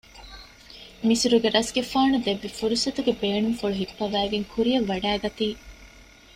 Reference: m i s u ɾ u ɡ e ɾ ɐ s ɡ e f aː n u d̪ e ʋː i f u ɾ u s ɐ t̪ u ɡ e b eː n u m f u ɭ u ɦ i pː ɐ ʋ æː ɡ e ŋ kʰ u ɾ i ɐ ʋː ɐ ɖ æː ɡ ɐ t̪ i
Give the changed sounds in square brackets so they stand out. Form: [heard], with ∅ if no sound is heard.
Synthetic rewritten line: m i s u ɾ u ɡ e ɾ ɐ s ɡ e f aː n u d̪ e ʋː i f u ɾ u s ɐ t̪ u ɡ e b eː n u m f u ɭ u ɦ i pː ɐ ʋ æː ɡ e ŋ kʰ u ɾ i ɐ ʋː ɐ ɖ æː ɡ ɐ t̪ [iː]

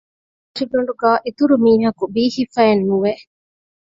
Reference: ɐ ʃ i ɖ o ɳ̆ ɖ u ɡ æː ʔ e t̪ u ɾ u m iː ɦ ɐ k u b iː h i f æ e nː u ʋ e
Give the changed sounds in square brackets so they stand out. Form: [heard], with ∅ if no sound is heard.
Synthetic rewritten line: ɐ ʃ i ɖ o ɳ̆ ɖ u ɡ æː ʔ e t̪ u ɾ u m iː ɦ ɐ k u b iː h i f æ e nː u ʋ e

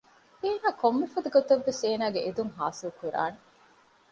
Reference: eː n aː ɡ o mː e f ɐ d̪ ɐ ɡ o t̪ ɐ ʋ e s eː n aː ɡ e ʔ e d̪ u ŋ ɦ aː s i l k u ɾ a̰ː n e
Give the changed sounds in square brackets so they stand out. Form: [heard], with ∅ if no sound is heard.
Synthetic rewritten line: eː n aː [k] o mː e f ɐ d̪ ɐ ɡ o t̪ ɐ [ʋː] e s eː n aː ɡ e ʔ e d̪ u ŋ ɦ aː s i l k u ɾ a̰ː n e

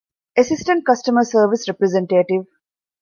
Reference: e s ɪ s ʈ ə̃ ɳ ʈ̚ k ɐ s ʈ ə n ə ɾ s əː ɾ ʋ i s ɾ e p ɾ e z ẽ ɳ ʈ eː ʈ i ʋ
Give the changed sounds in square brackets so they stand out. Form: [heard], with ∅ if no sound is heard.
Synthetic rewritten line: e s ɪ s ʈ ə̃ ɳ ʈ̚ k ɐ s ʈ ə [m] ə ɾ s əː ɾ ʋ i s ɾ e p ɾ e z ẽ ɳ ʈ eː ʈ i ʋ

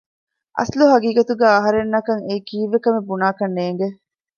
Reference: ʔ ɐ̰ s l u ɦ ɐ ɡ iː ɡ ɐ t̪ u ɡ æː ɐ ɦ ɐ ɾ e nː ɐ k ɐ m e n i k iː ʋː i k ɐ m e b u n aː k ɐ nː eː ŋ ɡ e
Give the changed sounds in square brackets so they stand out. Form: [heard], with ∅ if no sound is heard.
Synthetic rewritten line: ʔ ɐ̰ s l u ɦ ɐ ɡ iː ɡ ɐ t̪ u ɡ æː ɐ ɦ ɐ ɾ e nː ɐ k ɐ [ŋ] e [∅] i k iː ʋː [e] k ɐ m e b u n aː k ɐ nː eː ŋ ɡ e

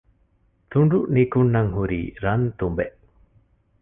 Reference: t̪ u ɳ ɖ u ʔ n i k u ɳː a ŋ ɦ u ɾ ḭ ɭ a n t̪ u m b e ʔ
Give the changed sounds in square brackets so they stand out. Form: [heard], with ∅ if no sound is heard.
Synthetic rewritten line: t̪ u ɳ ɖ u ʔ n i k u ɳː a ŋ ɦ u ɾ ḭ [ɾ] a n t̪ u m b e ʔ

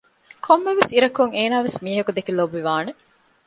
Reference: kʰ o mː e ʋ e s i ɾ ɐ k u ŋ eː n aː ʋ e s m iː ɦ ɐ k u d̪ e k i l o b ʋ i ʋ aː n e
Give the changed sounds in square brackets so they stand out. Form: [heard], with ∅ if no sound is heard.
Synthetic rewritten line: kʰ o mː e ʋ e s i ɾ ɐ k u ŋ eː n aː ʋ e s m iː ɦ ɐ k u d̪ e k i l o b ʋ i ʋ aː n e

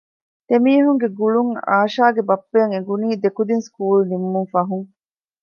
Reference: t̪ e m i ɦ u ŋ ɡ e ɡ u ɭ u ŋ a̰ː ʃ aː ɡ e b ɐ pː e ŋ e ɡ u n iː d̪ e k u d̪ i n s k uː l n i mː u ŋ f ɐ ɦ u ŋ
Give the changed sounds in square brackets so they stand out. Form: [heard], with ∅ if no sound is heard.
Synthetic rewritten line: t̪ e m [iː] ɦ u ŋ ɡ e ɡ u ɭ u ŋ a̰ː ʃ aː ɡ e b ɐ pː e ŋ e ɡ u n iː d̪ e k u d̪ i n s k uː l n i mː u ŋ f ɐ ɦ u ŋ

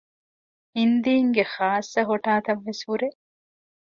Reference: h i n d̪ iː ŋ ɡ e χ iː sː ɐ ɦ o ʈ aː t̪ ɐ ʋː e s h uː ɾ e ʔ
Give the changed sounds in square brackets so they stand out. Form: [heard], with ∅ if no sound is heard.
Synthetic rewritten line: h i n d̪ iː ŋ ɡ e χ [aː] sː ɐ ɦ o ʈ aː t̪ ɐ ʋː e s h [u] ɾ e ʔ

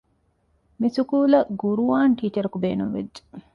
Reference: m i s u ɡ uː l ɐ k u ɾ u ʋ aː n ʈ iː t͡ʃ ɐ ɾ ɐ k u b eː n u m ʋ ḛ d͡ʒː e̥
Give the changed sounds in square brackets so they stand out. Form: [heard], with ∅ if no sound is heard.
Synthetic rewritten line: m i s u [k] uː l ɐ [ɡ] u ɾ u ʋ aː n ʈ iː t͡ʃ ɐ ɾ ɐ k u b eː n u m ʋ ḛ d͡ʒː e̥

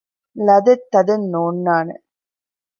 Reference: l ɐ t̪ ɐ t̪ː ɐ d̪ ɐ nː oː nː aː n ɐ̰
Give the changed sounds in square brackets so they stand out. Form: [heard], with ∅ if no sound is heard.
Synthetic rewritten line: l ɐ [d̪] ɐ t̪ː ɐ d̪ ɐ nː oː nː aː n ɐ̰

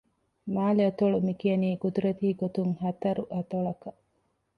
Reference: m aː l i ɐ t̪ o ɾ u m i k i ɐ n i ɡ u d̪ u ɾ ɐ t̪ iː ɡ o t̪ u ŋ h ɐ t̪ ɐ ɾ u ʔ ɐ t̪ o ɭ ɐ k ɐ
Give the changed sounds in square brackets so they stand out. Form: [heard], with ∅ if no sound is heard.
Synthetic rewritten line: m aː l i ɐ t̪ o [ɭ] u m i k i ɐ n [iː] ɡ u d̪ u ɾ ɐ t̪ iː ɡ o t̪ u ŋ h ɐ t̪ ɐ ɾ u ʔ ɐ t̪ o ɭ ɐ k ɐ

